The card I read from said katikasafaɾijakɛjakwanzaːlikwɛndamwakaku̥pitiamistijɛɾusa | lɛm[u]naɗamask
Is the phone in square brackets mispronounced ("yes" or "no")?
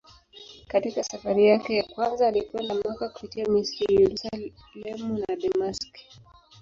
no